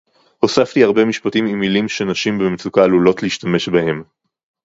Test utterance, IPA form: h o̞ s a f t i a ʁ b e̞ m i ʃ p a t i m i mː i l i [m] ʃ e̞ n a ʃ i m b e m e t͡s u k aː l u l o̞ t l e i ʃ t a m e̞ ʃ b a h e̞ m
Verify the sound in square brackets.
correct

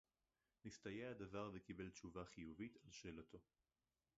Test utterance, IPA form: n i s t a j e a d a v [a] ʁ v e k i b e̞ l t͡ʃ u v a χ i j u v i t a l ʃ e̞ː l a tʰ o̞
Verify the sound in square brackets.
correct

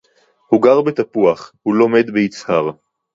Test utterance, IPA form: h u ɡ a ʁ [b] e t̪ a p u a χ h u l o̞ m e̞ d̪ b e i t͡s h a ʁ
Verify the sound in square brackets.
correct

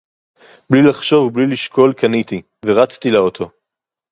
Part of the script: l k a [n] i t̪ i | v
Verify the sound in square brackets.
correct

